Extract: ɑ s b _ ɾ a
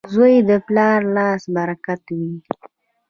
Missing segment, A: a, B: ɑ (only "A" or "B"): A